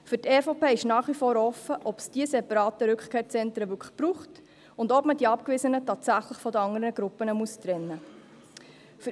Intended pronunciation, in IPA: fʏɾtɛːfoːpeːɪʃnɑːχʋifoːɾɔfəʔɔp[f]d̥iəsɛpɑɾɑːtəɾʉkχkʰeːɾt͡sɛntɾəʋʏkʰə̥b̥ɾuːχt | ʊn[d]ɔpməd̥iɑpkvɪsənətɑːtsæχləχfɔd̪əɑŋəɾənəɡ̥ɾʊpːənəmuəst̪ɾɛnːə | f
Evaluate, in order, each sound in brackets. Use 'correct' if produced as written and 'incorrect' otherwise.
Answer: incorrect, correct

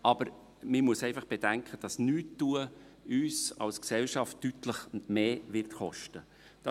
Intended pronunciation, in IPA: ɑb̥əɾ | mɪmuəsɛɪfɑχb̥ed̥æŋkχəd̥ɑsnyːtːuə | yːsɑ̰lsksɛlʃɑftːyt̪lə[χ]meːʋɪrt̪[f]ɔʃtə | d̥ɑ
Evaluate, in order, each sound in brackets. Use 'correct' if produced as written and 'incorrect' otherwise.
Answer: correct, incorrect

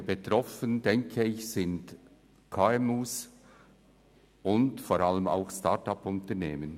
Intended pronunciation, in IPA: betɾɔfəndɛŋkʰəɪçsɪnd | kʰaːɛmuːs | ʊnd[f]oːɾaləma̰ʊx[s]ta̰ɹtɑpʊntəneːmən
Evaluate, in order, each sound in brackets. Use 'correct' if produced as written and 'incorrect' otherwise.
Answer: correct, correct

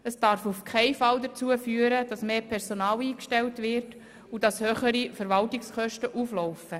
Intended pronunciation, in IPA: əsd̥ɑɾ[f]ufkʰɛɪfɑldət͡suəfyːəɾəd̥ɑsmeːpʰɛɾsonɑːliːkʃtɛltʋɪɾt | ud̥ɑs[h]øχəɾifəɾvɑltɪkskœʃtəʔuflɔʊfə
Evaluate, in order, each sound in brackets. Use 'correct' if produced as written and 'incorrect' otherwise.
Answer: correct, correct

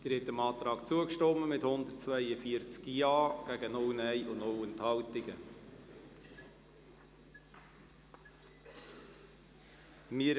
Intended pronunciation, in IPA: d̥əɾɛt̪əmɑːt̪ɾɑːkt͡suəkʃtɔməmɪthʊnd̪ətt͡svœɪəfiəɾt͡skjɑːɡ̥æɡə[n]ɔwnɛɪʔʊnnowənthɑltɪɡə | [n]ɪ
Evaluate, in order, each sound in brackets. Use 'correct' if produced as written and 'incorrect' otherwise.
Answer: correct, incorrect

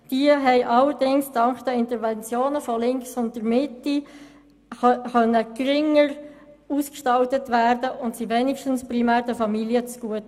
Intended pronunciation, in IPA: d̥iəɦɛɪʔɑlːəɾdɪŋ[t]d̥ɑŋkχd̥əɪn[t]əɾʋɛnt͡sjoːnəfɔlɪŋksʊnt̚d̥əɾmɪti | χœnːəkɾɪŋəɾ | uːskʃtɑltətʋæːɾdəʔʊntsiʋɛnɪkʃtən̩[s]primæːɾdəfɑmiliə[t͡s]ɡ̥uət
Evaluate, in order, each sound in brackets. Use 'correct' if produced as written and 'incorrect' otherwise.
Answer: incorrect, correct, correct, correct

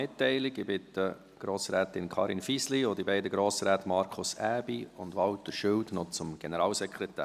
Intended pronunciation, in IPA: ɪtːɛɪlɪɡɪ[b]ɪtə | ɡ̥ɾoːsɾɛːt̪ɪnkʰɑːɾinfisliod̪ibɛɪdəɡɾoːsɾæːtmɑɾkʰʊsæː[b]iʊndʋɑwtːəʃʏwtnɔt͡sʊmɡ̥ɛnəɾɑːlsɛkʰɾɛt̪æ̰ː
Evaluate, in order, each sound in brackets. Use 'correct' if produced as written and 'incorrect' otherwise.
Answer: correct, correct

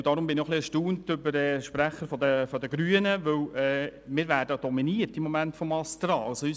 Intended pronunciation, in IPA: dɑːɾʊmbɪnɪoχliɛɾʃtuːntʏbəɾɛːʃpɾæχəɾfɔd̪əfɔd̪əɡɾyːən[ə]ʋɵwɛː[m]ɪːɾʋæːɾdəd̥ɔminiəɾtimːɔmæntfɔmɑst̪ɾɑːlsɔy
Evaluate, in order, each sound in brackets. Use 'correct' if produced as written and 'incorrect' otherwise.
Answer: correct, correct

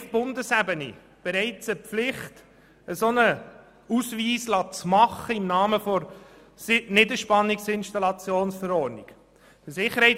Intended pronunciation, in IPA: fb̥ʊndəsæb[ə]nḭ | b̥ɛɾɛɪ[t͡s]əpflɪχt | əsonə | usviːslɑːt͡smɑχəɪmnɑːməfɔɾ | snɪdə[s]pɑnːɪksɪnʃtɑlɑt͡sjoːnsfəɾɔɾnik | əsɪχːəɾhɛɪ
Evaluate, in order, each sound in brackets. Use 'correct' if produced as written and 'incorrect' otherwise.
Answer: correct, correct, incorrect

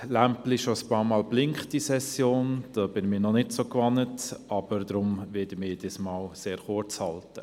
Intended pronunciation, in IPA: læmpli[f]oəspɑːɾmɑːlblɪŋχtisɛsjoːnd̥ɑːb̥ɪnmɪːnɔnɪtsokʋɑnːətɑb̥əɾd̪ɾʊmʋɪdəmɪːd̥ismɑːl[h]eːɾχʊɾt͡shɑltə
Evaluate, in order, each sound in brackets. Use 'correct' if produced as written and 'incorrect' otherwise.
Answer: incorrect, incorrect

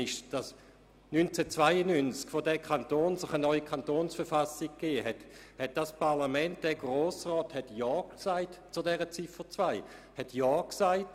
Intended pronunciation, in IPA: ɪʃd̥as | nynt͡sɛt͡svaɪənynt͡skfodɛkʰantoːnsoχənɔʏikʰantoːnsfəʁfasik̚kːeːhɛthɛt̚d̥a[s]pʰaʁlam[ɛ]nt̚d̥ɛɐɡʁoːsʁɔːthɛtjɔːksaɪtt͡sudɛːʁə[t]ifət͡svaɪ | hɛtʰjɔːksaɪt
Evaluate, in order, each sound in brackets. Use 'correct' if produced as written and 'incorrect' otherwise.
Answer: correct, correct, incorrect

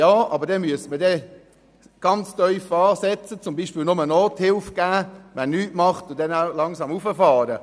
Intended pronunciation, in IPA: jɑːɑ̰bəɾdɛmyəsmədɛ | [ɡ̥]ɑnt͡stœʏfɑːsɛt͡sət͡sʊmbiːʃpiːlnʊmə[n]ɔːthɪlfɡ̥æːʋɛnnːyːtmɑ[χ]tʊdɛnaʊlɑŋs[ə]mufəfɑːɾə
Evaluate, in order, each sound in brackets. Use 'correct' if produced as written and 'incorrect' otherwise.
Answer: correct, correct, correct, incorrect

